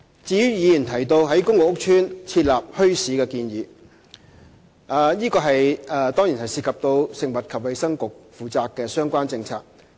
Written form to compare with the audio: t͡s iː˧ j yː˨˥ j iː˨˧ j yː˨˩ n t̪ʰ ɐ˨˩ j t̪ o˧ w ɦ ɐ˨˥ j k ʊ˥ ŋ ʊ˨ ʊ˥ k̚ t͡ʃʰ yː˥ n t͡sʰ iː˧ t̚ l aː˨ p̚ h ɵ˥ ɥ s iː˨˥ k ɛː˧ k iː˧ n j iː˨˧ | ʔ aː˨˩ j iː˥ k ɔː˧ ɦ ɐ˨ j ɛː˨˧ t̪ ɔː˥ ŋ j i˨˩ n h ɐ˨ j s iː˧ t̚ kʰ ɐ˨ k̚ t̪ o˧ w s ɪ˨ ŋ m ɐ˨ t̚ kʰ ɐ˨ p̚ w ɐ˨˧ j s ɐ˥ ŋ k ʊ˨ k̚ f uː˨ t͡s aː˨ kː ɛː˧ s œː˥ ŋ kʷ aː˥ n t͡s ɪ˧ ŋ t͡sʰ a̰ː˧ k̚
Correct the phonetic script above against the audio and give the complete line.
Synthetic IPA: t͡s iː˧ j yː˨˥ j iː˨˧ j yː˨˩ n t̪ʰ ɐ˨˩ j t̪ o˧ w ɦ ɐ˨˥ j k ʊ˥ ŋ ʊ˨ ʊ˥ k̚ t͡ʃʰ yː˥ n t͡sʰ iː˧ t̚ l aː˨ p̚ h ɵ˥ ɥ s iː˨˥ k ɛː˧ k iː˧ n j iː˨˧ | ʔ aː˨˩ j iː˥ k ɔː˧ ɦ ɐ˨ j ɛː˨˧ t̪ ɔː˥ ŋ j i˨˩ n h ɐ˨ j s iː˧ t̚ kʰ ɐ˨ p̚ t̪ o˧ w s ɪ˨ ŋ m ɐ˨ t̚ kʰ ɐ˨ p̚ w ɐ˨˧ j s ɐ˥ ŋ k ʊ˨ k̚ f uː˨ t͡s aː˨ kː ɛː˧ s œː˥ ŋ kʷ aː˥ n t͡s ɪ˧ ŋ t͡sʰ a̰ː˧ k̚

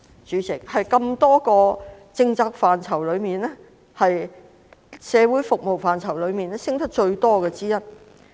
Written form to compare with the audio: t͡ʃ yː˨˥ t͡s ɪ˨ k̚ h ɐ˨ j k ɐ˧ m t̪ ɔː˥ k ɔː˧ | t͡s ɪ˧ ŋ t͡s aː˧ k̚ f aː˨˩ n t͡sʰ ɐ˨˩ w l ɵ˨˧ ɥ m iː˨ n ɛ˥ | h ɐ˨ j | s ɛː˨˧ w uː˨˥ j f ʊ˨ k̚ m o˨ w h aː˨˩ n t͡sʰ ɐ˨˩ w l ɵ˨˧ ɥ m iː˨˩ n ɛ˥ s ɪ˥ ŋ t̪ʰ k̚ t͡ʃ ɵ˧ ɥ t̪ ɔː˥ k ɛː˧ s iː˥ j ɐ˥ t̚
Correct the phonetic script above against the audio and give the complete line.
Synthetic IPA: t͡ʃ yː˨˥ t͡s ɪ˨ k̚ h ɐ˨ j k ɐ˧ m t̪ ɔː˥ k ɔː˧ | t͡s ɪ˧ ŋ t͡s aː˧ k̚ f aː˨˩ n t͡sʰ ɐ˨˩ w l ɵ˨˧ ɥ m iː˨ n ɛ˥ | h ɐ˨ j | s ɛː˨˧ w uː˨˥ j f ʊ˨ k̚ m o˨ w f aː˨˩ n t͡sʰ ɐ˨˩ w l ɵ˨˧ ɥ m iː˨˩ n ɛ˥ s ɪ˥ ŋ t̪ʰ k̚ t͡ʃ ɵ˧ ɥ t̪ ɔː˥ k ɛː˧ t͡s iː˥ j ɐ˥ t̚

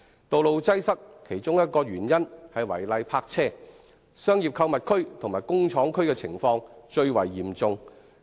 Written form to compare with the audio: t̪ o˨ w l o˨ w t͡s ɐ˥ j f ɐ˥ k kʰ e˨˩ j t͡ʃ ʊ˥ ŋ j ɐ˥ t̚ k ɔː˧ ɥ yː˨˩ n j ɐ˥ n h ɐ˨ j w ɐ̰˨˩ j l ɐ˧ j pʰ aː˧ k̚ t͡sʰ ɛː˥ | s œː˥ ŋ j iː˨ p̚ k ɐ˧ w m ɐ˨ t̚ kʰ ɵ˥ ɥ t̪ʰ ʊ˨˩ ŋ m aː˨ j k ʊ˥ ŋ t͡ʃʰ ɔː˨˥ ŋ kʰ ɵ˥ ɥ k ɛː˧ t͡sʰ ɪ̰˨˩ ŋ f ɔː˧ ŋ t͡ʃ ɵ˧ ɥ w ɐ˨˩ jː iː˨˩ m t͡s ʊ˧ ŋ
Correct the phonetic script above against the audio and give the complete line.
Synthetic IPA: t̪ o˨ w l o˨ w t͡s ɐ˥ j s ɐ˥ k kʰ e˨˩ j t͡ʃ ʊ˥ ŋ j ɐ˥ t̚ k ɔː˧ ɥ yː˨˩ n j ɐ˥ n h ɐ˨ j w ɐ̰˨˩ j l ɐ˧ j pʰ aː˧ k̚ t͡sʰ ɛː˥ | s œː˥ ŋ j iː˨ p̚ kʰ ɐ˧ w m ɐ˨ t̚ kʰ ɵ˥ ɥ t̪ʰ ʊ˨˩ ŋ m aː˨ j k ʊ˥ ŋ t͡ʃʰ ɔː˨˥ ŋ kʰ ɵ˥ ɥ k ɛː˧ t͡sʰ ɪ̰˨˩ ŋ f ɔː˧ ŋ t͡ʃ ɵ˧ ɥ w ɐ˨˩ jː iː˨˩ m t͡s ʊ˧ ŋ

